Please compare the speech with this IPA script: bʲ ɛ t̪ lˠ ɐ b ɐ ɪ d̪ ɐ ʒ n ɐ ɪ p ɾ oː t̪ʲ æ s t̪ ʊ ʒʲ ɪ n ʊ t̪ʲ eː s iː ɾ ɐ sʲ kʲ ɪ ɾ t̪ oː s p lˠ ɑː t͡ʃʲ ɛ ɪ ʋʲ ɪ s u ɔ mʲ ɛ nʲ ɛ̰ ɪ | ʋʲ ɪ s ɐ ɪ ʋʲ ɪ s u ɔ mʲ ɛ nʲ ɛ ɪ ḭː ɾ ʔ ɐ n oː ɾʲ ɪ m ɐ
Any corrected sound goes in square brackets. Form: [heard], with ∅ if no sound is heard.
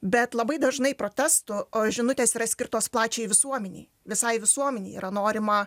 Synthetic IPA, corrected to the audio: bʲ ɛ t̪ lˠ ɐ b ɐ ɪ d̪ ɐ ʒ n ɐ ɪ p ɾ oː t̪ʲ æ s t̪ ʊ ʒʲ ɪ n ʊ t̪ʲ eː s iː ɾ ɐ sʲ kʲ ɪ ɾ t̪ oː s p lˠ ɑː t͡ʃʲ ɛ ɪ ʋʲ ɪ s u ɔ mʲ ɛ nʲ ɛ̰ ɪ | ʋʲ ɪ s ɐ ɪ ʋʲ ɪ s u ɔ mʲ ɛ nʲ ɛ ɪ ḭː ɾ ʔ ɐ n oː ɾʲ ɪ m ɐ